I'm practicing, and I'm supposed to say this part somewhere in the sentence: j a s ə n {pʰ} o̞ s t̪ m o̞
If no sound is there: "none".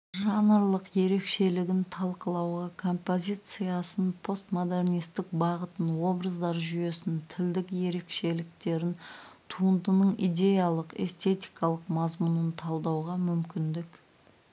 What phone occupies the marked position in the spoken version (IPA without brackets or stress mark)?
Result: pʰ